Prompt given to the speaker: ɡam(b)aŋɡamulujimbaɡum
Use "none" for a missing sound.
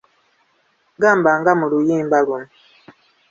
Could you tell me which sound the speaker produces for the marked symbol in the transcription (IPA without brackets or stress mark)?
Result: b